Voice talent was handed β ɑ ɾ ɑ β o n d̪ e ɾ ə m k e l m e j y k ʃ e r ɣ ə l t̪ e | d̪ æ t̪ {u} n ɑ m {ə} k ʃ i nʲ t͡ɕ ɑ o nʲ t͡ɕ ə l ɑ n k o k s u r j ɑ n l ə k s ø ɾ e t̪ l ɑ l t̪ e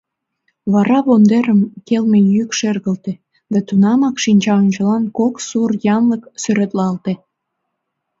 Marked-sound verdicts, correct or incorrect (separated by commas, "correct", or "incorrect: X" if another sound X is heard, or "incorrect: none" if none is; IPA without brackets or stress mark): correct, incorrect: ɑ